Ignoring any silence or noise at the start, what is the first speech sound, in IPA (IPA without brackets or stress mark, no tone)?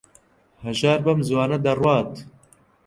h